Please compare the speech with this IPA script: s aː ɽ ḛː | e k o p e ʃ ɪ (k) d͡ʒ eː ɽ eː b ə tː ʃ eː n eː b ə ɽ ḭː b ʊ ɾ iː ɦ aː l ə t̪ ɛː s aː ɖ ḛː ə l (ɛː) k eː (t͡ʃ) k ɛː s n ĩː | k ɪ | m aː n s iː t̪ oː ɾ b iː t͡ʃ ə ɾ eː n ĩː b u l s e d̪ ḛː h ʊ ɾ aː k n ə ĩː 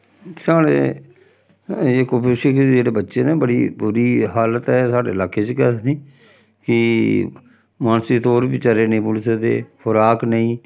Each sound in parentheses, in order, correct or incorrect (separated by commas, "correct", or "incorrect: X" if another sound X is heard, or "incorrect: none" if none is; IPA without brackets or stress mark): correct, incorrect: aː, correct